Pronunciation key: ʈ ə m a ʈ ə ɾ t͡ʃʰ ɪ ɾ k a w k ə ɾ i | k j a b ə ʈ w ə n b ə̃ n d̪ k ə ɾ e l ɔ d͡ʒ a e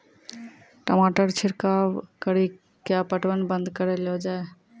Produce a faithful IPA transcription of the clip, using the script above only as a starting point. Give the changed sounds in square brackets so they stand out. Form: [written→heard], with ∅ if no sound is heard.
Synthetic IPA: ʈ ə m a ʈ ə ɾ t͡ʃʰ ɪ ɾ k a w k ə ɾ i | k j a [b→p] ə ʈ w ə n b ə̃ n d̪ k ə ɾ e l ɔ d͡ʒ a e